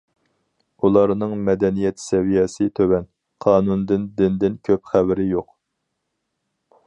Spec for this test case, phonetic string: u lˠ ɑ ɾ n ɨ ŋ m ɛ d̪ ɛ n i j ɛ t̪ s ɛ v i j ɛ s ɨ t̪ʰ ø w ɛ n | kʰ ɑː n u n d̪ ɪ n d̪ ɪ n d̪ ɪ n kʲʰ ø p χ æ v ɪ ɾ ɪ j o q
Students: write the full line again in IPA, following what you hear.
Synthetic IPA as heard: u lˠ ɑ ɾ n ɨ ŋ m ɛ d̪ ɛ n i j ɛ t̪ s ɛ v i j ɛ s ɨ t̪ʰ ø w ɛ n | qʰ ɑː n u n d̪ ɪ n d̪ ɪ n d̪ ɪ n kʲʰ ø p χ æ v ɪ ɾ ɪ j o q

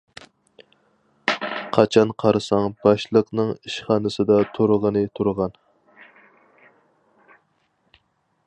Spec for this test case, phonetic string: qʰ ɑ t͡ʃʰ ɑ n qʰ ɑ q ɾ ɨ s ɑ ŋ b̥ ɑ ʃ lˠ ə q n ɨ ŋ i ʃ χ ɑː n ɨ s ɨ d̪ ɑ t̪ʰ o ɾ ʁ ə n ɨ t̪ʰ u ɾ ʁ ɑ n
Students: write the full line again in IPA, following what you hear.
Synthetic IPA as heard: qʰ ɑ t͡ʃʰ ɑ n qʰ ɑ ɾ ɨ s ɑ ŋ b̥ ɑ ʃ lˠ ə q n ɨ ŋ i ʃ χ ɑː n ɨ s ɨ d̪ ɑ t̪ʰ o ɾ ʁ ə n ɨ t̪ʰ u ɾ ʁ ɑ n

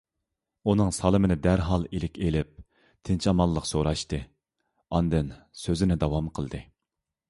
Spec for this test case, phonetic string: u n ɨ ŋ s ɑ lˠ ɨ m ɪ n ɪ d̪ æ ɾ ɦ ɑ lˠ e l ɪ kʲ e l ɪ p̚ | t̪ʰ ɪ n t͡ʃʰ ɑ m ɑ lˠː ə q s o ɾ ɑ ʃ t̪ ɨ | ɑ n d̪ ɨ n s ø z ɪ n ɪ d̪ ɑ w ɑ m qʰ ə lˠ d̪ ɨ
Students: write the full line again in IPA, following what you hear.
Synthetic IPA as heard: u n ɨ ŋ s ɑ lˠ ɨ m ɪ n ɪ d̪ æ ɾ ɦ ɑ lˠ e l ɪ kʲ e l ɪ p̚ | t̪ʰ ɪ n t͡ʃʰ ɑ m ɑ lˠː ə q s o ɾ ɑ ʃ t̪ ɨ | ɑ n d̪ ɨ n s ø z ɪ n ɪ d̪ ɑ w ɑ m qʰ ə lˠ d̪ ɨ

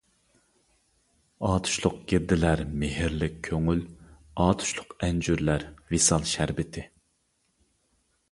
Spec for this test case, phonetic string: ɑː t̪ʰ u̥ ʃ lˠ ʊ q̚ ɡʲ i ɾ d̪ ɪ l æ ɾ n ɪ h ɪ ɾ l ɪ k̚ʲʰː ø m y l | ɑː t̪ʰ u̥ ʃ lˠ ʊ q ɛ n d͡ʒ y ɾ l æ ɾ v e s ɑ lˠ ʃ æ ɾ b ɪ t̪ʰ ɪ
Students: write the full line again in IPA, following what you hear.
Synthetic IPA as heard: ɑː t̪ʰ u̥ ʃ lˠ ʊ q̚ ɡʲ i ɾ d̪ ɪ l æ ɾ m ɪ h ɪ ɾ l ɪ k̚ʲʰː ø ŋ y l | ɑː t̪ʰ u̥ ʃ lˠ ʊ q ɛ n d͡ʒ y ɾ l æ ɾ v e s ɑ lˠ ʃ æ ɾ b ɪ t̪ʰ ɪ

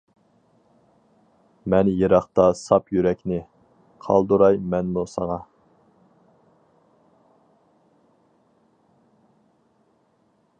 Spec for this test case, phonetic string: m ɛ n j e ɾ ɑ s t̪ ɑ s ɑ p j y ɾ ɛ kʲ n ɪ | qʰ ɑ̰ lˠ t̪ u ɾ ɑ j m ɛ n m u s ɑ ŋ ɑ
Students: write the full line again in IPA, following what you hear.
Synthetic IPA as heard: m ɛ n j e ɾ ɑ χ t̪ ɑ s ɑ p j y ɾ ɛ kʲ n ɪ | qʰ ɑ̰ lˠ d̪ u ɾ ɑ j m ɛ n m u s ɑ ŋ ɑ

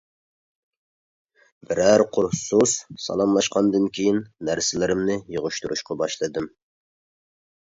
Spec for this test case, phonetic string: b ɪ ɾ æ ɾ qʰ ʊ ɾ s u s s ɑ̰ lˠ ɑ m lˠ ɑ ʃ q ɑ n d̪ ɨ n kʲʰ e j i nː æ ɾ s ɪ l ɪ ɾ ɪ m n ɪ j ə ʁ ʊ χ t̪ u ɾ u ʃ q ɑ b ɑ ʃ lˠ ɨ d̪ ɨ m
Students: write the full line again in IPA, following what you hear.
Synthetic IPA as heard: b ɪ ɾ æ ɾ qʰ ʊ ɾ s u s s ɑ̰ lˠ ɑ m lˠ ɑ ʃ q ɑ n d̪ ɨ n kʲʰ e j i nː æ ɾ s ɪ l ɪ ɾ ɪ m n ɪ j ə ʁ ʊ ʃ t̪ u ɾ u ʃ q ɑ b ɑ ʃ lˠ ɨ d̪ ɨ m

